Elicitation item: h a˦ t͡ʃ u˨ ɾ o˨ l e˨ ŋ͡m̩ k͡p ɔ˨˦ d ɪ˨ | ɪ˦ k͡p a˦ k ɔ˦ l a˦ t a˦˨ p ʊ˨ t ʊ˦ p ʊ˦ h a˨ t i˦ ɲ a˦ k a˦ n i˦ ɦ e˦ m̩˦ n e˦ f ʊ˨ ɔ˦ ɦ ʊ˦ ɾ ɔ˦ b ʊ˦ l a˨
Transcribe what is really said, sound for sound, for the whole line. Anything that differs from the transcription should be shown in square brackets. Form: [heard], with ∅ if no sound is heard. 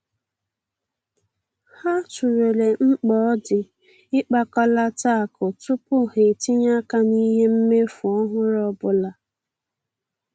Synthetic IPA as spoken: h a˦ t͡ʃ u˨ ɾ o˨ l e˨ ŋ͡m̩ k͡p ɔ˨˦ d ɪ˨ | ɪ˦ k͡p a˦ k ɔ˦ l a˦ t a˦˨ [k] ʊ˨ t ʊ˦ p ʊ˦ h [e˨] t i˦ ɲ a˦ k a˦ n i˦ ɦ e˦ m̩˦ [m] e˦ f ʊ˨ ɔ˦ ɦ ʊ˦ ɾ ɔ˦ b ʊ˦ l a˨